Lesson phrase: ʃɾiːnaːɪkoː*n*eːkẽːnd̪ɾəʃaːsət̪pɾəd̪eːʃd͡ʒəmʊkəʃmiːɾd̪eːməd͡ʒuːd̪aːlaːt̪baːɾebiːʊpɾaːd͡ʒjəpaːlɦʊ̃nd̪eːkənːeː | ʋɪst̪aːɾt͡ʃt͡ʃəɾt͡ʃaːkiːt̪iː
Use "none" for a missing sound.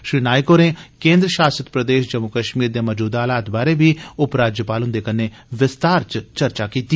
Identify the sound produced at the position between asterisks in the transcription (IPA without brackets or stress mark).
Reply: n